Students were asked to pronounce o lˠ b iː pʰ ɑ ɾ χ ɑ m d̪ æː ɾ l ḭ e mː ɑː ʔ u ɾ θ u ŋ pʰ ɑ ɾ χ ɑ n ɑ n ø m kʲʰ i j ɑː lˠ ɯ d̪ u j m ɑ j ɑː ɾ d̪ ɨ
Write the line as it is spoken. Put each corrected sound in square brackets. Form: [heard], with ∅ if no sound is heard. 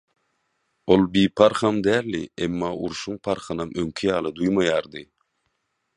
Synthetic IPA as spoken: o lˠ b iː pʰ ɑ ɾ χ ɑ m d̪ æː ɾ l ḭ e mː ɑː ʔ u ɾ [ʃ] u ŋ pʰ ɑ ɾ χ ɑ n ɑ [m] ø [ŋ] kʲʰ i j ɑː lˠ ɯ d̪ u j m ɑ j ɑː ɾ d̪ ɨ